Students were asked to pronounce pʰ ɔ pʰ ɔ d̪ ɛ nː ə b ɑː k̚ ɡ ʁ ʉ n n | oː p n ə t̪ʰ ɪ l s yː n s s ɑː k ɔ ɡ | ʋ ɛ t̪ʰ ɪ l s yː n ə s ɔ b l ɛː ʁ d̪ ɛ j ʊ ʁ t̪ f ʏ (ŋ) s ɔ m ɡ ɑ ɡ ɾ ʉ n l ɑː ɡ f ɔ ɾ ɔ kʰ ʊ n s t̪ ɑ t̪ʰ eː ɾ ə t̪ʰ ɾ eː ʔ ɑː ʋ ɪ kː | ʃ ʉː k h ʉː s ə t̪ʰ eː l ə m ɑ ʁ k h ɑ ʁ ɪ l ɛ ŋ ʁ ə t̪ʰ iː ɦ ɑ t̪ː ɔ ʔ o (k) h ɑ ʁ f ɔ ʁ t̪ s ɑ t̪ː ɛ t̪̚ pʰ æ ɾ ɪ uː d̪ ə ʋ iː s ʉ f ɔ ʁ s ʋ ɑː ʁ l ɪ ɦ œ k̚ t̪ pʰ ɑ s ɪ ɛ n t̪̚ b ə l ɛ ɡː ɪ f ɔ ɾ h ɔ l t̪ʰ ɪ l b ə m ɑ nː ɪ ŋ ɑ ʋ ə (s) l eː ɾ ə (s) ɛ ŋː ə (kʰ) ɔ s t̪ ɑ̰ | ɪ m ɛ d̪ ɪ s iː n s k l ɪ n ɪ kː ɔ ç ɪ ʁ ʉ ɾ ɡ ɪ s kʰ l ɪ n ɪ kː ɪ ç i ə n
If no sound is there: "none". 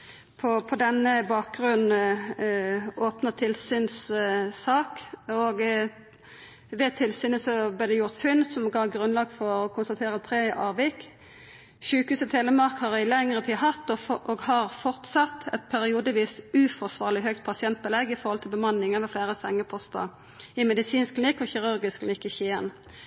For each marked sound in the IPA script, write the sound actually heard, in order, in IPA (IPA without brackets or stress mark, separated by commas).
n, ɡ, f, s, pʰ